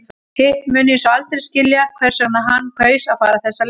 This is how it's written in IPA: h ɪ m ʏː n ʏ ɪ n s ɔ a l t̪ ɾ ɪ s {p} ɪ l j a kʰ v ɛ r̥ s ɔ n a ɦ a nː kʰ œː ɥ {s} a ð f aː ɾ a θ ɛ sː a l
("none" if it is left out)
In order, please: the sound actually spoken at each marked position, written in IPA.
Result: c, s

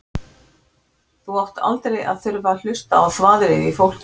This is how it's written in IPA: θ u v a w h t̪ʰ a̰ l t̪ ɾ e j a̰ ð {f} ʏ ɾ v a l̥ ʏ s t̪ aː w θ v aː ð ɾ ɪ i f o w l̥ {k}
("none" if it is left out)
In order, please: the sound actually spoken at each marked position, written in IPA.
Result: θ, c

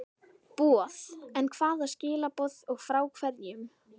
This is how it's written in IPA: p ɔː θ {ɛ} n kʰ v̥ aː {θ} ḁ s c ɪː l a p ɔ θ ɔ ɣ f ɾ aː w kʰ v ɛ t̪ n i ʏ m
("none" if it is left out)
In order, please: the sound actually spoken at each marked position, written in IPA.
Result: ɛ, ð

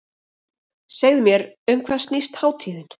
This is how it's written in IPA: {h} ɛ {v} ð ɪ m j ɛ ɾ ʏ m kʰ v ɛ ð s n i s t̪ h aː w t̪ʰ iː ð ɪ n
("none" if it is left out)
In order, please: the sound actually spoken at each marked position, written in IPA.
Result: s, ɣ

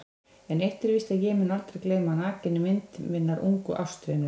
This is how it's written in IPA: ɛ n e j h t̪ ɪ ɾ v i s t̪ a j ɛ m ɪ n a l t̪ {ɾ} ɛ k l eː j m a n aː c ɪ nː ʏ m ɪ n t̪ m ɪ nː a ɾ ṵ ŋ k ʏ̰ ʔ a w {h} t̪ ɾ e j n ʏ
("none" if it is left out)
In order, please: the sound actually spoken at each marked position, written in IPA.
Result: ɾ, s

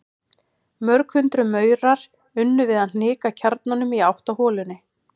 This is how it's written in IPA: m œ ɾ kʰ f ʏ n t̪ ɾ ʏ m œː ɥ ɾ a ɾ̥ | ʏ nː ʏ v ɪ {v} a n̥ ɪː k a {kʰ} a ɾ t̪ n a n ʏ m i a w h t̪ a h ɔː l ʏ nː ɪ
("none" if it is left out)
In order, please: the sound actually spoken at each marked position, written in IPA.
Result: ð, cʰ

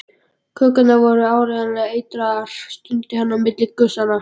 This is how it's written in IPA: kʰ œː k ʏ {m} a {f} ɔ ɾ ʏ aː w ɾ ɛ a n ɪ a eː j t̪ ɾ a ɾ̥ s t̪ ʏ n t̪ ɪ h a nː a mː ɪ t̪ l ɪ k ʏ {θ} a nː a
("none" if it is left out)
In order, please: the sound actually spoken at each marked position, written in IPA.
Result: n, v, s

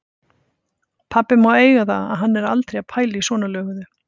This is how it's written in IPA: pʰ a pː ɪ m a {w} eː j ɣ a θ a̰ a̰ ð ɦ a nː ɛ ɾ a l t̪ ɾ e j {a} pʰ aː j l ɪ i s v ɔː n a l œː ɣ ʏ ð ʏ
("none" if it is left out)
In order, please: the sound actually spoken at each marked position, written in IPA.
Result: w, a

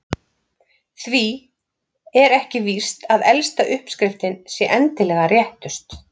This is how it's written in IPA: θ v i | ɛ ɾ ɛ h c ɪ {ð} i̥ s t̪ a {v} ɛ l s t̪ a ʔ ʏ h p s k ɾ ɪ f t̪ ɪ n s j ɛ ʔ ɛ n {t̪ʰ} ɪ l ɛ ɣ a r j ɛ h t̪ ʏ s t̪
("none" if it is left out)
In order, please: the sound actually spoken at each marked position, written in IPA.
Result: v, ð, t̪

